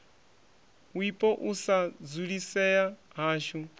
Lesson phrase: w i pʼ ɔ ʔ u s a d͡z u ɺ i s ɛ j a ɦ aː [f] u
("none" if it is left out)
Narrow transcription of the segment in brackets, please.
ʃ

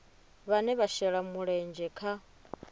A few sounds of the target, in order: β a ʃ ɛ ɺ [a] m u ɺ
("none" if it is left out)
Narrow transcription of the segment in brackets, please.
a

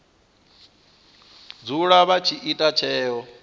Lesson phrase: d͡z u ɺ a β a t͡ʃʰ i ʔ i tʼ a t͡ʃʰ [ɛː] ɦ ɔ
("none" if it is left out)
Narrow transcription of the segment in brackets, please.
ɛː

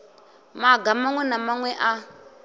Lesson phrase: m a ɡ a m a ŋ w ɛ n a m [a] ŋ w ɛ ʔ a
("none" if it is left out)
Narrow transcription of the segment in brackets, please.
a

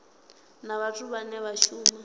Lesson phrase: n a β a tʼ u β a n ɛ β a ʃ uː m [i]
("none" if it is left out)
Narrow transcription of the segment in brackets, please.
a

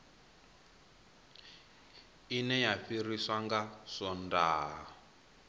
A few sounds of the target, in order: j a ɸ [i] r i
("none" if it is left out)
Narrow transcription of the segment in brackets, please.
i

